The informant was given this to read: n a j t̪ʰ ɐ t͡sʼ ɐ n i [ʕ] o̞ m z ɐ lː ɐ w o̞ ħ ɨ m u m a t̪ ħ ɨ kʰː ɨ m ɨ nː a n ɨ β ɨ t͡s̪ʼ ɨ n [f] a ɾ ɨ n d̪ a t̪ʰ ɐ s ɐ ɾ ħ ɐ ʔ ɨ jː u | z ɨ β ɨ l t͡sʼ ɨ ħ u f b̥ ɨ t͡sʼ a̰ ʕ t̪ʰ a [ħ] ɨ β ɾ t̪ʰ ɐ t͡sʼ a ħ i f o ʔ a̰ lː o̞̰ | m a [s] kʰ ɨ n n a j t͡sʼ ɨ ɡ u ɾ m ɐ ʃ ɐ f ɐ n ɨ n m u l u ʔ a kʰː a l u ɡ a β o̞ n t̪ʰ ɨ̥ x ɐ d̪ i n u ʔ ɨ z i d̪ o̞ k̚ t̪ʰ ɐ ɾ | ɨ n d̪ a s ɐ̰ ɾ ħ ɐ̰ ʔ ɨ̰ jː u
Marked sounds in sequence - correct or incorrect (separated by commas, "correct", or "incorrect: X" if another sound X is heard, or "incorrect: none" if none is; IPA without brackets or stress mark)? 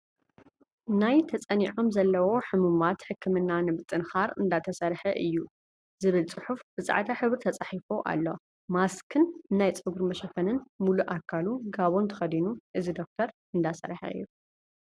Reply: correct, incorrect: x, correct, correct